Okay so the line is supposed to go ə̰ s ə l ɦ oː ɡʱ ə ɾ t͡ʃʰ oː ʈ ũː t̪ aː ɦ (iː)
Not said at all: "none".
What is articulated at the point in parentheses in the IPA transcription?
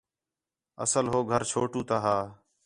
aː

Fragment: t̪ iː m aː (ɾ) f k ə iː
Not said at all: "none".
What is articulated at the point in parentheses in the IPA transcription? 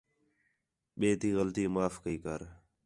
none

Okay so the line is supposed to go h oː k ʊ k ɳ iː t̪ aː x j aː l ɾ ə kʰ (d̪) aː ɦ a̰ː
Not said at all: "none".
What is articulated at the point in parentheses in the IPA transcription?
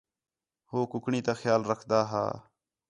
d̪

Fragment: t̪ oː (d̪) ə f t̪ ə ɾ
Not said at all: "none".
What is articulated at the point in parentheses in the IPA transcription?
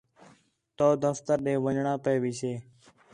d̪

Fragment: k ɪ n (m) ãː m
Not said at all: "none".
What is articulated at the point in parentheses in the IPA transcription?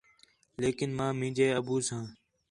m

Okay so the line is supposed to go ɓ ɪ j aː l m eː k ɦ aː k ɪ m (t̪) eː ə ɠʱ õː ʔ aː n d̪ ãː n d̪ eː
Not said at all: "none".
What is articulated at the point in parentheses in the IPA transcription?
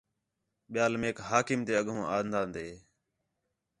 t̪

